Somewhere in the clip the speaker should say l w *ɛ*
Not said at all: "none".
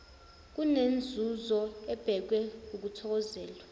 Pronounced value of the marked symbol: a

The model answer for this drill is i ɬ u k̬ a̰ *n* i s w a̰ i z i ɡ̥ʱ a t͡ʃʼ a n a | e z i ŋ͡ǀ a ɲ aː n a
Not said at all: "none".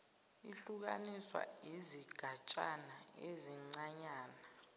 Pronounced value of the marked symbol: n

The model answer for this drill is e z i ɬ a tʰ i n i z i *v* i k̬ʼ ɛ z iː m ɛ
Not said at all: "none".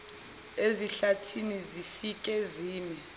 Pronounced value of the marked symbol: f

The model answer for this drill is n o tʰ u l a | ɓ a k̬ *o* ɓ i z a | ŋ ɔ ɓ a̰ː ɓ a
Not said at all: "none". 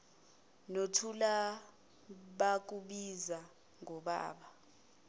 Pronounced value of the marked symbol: u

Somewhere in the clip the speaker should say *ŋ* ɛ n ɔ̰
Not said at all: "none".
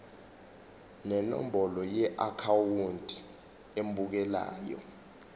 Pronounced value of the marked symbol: n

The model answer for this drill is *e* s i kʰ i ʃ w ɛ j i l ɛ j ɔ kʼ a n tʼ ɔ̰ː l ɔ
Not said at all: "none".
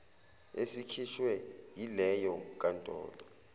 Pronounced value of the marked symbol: e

